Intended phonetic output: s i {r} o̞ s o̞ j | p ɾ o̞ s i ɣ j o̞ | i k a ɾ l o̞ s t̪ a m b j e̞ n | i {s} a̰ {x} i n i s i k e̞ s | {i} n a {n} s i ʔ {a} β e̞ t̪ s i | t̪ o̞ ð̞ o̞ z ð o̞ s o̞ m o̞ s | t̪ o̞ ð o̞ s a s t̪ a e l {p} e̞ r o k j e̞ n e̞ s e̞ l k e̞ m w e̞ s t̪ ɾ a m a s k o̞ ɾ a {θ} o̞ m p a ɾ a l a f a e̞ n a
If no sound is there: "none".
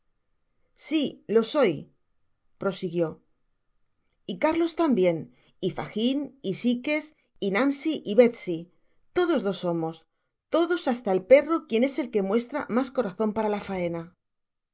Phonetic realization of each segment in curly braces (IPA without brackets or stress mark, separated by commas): l, f, x, i, n, i, p, θ